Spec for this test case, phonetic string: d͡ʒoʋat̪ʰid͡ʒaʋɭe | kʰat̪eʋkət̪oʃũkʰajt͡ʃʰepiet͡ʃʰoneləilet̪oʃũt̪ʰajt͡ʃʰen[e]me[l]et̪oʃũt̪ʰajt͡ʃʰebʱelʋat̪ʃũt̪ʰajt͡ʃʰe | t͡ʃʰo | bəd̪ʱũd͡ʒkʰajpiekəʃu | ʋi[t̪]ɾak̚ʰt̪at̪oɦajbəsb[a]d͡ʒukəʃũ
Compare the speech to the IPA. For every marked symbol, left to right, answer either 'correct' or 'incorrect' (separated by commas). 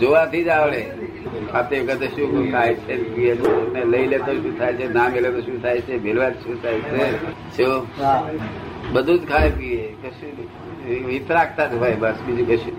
incorrect, correct, correct, incorrect